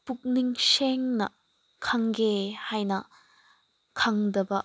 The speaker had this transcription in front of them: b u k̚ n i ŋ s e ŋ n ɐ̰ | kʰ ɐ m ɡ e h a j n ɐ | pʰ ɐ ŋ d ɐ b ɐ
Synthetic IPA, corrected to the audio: p u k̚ n i ŋ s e ŋ n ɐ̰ | kʰ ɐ ŋ ɡ e h a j n ɐ | kʰ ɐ ŋ d ɐ b ɐ